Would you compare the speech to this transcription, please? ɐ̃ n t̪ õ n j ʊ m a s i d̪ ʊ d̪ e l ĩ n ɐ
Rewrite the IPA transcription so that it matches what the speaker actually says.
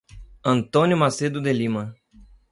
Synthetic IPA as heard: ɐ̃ n t̪ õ n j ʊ m a s e d̪ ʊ d̪ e l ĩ m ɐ